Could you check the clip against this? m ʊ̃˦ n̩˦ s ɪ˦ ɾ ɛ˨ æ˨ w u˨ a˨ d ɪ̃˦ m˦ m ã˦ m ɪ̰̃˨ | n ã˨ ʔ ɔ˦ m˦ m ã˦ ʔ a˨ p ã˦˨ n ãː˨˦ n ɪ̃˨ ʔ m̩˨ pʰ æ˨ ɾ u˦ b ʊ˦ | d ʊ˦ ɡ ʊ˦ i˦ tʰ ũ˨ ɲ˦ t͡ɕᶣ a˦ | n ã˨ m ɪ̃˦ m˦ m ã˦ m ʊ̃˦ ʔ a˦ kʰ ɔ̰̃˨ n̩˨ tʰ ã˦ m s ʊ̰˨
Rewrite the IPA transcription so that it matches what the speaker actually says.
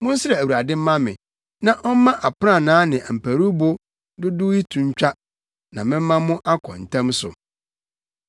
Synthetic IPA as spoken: m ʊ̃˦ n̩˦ s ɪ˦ ɾ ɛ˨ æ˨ w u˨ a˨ d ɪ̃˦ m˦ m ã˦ m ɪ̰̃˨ | n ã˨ ʔ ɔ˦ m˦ m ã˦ ʔ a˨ p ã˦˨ n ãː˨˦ n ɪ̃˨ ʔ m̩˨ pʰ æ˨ ɾ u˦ b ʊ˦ | d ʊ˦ d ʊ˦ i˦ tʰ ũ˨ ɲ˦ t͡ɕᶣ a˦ | n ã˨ m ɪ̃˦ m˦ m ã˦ m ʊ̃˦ ʔ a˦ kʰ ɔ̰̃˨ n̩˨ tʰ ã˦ m s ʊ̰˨